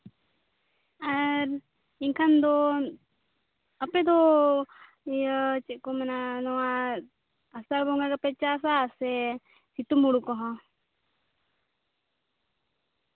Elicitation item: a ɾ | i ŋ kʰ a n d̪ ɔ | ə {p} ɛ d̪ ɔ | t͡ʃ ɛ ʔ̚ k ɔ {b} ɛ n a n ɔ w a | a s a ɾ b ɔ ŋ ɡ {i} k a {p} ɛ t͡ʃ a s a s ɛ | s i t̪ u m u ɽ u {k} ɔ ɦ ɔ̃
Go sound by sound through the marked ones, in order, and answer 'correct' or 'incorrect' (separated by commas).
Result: correct, incorrect, incorrect, correct, correct